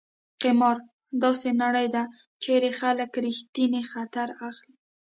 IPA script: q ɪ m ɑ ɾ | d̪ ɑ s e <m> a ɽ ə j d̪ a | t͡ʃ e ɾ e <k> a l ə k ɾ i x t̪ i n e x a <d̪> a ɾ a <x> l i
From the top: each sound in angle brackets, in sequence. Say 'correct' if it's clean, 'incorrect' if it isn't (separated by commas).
incorrect, incorrect, incorrect, correct